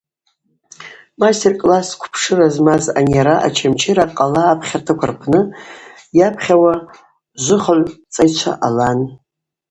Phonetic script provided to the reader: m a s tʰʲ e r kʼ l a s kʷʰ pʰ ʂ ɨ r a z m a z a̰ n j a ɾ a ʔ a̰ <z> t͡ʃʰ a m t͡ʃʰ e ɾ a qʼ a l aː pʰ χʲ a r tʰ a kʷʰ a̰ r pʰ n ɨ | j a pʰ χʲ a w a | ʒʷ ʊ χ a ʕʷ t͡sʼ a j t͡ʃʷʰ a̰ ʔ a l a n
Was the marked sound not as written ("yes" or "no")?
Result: yes